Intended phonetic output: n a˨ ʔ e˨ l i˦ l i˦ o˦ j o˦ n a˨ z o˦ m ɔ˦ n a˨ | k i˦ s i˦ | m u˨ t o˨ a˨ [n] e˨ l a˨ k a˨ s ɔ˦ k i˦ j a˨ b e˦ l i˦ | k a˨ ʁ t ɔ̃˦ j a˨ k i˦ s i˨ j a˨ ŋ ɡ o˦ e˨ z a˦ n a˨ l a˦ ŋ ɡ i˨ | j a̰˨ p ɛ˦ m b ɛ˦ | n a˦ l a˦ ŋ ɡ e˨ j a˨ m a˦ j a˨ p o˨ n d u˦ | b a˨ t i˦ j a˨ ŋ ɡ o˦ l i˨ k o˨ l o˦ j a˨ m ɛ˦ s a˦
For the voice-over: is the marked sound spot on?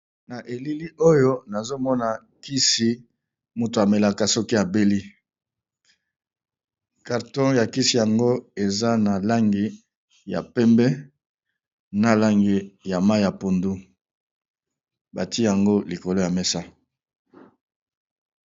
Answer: no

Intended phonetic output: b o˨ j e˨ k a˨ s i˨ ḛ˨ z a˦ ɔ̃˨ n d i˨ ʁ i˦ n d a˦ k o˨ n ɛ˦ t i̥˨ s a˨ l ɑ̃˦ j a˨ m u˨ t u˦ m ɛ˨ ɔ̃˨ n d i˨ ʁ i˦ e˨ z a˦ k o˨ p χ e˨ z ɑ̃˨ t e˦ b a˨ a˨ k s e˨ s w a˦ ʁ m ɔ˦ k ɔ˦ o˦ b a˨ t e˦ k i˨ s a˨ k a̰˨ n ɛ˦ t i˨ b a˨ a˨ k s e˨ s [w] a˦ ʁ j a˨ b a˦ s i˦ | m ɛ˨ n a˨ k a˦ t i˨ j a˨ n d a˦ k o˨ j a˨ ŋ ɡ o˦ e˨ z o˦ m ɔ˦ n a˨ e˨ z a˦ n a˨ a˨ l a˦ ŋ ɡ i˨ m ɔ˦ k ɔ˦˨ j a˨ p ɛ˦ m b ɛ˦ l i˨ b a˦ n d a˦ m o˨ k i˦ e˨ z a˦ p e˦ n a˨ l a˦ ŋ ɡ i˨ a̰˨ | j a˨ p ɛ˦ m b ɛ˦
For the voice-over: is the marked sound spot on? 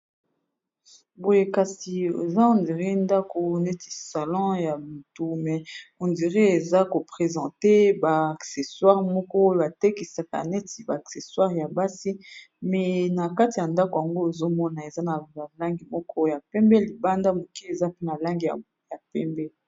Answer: yes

